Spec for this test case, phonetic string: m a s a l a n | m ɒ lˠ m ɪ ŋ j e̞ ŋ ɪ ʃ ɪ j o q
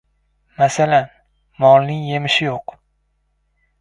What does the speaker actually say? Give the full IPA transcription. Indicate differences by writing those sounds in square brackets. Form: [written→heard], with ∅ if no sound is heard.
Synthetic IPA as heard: m a s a l a n | m ɒ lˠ [m→n] ɪ ŋ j e̞ [ŋ→m] ɪ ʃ ɪ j o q